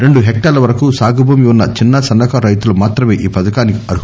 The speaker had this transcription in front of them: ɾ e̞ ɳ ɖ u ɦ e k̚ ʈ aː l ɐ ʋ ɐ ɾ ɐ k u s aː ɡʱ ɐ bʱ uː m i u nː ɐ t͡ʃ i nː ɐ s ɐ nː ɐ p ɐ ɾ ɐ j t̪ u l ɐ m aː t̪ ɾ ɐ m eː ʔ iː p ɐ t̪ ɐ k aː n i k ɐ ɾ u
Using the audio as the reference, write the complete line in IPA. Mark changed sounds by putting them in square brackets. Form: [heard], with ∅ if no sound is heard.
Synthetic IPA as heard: ɾ e̞ ɳ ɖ u ɦ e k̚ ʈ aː l ɐ ʋ ɐ ɾ ɐ k u s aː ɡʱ ɐ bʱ uː m i u nː ɐ t͡ʃ i nː ɐ s ɐ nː ɐ [k] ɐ ɾ ɐ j t̪ u l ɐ m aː t̪ ɾ ɐ m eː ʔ iː p ɐ [d̪] ɐ k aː n i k ɐ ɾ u